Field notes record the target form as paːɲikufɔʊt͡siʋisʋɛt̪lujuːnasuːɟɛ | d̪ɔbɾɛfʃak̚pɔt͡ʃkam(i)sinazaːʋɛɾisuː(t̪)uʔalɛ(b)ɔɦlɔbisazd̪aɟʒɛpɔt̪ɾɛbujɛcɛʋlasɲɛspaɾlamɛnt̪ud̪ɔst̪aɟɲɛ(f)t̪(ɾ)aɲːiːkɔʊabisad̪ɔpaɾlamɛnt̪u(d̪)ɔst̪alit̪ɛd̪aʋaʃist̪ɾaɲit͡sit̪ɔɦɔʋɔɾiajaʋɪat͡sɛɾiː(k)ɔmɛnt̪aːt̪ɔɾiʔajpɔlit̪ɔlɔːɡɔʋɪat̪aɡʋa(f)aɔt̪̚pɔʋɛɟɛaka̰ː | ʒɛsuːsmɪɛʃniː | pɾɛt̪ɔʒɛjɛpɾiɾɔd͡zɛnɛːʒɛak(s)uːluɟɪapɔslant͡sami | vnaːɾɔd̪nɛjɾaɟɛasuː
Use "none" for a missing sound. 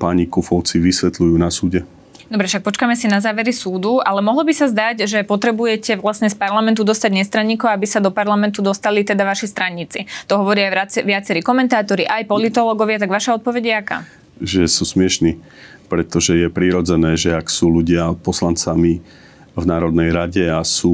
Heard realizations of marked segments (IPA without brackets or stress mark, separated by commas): ɛ, d̪, m, s, ɾ, d̪, k, ʃ, s